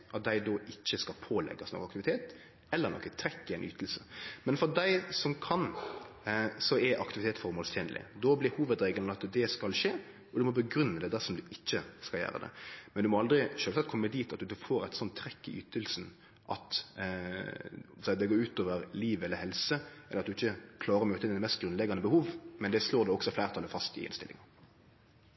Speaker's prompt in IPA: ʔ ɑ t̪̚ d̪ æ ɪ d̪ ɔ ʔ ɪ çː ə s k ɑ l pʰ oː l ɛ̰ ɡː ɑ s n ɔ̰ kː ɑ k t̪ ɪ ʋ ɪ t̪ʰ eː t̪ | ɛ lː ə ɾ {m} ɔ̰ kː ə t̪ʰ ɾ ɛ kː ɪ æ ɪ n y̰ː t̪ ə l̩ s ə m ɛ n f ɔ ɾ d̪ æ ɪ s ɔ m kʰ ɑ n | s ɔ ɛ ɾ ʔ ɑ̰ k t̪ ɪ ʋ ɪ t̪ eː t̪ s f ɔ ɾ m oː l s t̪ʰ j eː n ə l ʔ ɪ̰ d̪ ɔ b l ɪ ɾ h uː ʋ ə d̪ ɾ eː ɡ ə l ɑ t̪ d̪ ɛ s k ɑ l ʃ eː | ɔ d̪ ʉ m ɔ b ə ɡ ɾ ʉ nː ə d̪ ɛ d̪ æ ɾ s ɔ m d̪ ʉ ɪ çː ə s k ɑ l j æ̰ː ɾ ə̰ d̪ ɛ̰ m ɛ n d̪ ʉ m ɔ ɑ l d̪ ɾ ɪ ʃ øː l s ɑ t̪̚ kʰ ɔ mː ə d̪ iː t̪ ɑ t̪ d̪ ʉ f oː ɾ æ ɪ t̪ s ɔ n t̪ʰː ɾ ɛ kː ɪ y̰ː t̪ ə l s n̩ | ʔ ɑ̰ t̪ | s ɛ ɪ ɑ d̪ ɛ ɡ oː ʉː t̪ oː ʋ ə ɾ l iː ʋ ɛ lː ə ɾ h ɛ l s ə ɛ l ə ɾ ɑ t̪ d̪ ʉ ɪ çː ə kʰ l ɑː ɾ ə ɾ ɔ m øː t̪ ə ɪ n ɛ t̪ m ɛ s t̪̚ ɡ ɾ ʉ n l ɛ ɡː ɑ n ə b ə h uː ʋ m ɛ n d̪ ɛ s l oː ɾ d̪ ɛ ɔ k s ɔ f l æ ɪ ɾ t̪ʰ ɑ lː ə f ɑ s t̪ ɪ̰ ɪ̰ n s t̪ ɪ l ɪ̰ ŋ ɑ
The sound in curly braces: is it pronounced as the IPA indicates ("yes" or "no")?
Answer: no